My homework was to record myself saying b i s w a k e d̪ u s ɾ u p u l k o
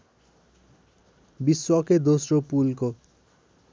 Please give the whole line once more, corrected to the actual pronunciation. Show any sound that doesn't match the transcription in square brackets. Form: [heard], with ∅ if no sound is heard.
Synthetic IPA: b i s w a k e d̪ [o] s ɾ [o] p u l k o

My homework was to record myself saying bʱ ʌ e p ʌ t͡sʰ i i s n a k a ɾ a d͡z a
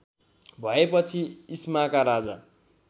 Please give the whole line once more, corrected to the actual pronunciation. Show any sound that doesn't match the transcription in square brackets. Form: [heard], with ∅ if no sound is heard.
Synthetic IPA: bʱ ʌ e p ʌ t͡sʰ i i s [m] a k a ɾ a d͡z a

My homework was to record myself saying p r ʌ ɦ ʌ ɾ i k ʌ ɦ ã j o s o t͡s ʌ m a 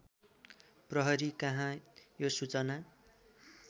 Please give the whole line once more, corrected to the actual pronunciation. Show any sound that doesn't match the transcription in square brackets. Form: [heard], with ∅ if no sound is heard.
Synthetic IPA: p r ʌ ɦ ʌ ɾ i k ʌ ɦ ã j o s [u] t͡s ʌ [n] a

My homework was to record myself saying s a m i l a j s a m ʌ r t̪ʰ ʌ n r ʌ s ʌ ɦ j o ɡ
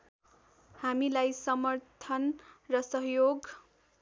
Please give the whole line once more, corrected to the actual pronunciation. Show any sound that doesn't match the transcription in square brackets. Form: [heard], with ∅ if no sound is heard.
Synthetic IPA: [h] a m i l a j s [ʌ] m ʌ r t̪ʰ ʌ n r ʌ s ʌ ɦ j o ɡ

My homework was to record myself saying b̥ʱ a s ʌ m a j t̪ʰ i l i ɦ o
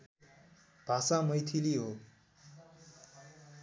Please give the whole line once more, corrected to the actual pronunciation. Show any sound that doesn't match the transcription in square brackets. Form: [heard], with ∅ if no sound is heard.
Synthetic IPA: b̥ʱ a s [a] m [ʌ] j t̪ʰ i l i ɦ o

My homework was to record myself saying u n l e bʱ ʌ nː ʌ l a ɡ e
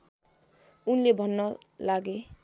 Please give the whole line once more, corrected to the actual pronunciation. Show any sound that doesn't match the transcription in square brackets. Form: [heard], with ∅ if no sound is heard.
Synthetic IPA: u n l e bʱ ʌ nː ʌ l a ɡ e

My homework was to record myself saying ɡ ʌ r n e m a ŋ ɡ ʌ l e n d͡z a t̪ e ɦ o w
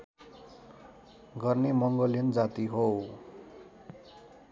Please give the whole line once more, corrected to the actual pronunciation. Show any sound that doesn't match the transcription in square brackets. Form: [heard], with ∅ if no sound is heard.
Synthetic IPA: ɡ ʌ r n e m [ʌ] ŋ ɡ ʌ l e n d͡z a t̪ [i] ɦ o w

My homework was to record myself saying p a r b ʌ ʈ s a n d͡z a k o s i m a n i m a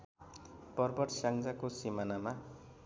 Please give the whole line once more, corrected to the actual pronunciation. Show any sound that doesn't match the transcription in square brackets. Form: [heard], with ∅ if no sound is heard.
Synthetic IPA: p [ʌ] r b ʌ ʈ s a [ŋ] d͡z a k o s i m a n [a] m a

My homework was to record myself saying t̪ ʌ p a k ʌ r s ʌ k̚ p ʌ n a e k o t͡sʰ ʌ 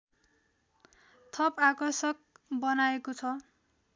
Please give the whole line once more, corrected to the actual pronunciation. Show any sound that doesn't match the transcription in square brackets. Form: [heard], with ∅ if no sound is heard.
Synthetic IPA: [t̪ʰ] ʌ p a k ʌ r s ʌ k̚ [b] ʌ n a e k o t͡sʰ ʌ

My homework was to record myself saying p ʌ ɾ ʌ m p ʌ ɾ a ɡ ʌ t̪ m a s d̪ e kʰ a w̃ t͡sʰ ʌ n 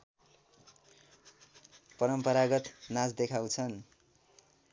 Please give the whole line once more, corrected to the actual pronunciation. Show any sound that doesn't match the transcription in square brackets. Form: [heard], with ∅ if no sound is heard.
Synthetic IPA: p ʌ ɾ ʌ m p ʌ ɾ a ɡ ʌ t̪ [n] a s d̪ e kʰ a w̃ t͡sʰ ʌ n

